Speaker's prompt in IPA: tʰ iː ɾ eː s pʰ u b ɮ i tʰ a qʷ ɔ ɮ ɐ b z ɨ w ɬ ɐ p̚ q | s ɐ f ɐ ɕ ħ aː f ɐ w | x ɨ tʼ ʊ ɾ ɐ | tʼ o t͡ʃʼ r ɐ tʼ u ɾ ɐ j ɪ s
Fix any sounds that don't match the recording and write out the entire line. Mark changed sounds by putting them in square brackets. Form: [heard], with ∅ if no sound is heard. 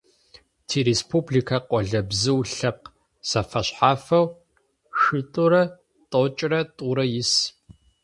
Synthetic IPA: tʰ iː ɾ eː s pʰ u b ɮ i [kʰ] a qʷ ɔ ɮ ɐ b z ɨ w ɬ ɐ p̚ q | s ɐ f ɐ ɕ ħ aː f ɐ w | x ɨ tʼ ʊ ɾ ɐ | tʼ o t͡ʃʼ r ɐ tʼ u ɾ ɐ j ɪ s

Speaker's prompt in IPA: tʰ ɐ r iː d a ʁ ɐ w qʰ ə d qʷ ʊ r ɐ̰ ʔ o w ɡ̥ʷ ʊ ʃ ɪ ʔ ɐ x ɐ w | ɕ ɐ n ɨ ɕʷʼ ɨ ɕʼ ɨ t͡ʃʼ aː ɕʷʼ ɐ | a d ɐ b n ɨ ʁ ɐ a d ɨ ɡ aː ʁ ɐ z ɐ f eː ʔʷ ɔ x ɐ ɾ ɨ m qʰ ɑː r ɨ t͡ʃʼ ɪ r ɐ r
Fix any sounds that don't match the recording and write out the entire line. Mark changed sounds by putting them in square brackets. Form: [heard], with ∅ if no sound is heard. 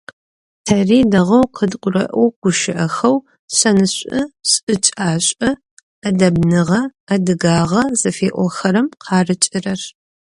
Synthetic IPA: tʰ ɐ r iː d [ɐ] ʁ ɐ w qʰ ə d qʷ ʊ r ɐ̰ ʔ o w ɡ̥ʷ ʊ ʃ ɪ ʔ ɐ x ɐ w | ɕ ɐ n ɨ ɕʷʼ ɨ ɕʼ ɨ t͡ʃʼ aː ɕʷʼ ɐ | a d ɐ b n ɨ ʁ ɐ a d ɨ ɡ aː ʁ ɐ z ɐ f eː ʔʷ ɔ x ɐ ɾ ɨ m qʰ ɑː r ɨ t͡ʃʼ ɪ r ɐ r

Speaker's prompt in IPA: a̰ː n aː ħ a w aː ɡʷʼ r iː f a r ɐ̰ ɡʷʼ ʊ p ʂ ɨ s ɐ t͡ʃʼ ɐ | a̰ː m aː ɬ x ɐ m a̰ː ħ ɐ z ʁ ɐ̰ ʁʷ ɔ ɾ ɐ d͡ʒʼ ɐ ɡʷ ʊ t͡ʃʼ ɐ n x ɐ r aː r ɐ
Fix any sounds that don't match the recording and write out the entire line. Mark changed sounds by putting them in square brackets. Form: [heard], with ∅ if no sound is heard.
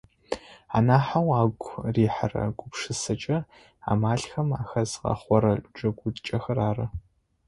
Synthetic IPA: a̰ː n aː ħ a w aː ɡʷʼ r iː [ħ] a r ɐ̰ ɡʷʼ ʊ p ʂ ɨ s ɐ t͡ʃʼ ɐ | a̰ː m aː ɬ x ɐ m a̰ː [x] ɐ z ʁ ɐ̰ [χʷ] ɔ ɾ ɐ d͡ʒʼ ɐ ɡʷ ʊ t͡ʃʼ ɐ [∅] x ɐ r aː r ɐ

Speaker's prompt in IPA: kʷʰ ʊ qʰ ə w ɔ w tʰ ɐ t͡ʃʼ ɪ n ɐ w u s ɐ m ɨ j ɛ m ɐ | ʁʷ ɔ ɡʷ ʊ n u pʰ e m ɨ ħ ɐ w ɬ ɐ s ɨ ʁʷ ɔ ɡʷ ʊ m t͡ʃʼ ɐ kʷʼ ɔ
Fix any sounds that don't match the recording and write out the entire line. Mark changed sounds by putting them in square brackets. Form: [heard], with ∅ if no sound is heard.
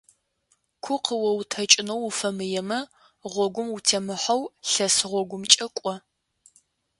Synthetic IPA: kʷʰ ʊ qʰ ə w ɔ w tʰ ɐ t͡ʃʼ ɪ n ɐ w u [f] ɐ m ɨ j ɛ m ɐ | ʁʷ ɔ ɡʷ ʊ [m] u [tʰ] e m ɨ ħ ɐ w ɬ ɐ s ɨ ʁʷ ɔ ɡʷ ʊ m t͡ʃʼ ɐ kʷʼ ɔ

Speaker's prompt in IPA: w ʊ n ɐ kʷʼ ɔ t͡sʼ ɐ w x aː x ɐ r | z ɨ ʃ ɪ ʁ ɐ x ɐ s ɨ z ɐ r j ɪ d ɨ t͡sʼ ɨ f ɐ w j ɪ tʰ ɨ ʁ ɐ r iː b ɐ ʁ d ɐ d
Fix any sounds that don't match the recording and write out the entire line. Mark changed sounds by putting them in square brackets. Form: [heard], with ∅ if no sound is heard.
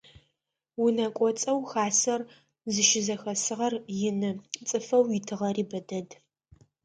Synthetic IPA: w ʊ n ɐ kʷʼ ɔ t͡sʼ ɐ w x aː [s] ɐ r | z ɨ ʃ ɪ [z] ɐ x ɐ s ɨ [ʁ] ɐ r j ɪ [n] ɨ t͡sʼ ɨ f ɐ w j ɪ tʰ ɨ ʁ ɐ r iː b ɐ [∅] d ɐ d

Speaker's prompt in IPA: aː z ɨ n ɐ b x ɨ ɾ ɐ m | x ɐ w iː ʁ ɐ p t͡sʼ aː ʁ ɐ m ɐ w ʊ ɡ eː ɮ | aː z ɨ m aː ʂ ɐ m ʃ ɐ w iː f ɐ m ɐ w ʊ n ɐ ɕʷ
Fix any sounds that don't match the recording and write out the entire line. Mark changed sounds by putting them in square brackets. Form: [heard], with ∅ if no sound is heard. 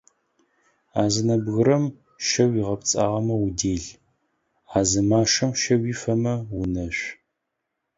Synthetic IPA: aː z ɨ n ɐ b [ɣ] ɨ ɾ ɐ m | [ʃ] ɐ w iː ʁ ɐ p t͡sʼ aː ʁ ɐ m ɐ w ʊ [d] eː ɮ | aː z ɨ m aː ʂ ɐ m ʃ ɐ w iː f ɐ m ɐ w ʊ n ɐ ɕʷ

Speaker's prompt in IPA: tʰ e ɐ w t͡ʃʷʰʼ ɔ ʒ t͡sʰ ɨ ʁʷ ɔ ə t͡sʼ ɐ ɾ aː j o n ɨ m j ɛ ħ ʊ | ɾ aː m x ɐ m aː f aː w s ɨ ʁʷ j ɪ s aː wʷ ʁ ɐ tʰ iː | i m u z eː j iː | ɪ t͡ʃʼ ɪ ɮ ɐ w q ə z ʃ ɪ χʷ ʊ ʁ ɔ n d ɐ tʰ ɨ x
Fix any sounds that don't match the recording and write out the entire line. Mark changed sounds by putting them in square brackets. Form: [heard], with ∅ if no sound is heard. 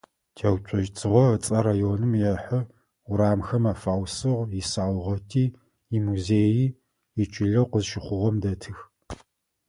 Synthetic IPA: tʰ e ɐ w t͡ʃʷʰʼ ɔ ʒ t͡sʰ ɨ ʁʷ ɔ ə t͡sʼ ɐ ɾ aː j o n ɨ m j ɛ ħ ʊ | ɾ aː m x ɐ m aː f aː w s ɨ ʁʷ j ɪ s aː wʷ ʁ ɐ tʰ iː | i m u z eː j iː | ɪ t͡ʃʼ ɪ ɮ ɐ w q ə z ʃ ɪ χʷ ʊ ʁ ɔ [m] d ɐ tʰ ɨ x

